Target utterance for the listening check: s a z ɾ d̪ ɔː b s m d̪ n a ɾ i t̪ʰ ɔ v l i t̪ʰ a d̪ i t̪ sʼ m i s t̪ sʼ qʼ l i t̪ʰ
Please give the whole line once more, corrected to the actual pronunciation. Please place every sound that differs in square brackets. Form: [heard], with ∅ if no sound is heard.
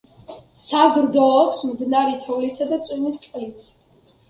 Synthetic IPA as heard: s a z ɾ d̪ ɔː [p] s m d̪ n a ɾ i t̪ʰ ɔ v l i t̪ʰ a d̪ [a] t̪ sʼ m i s t̪ sʼ qʼ l i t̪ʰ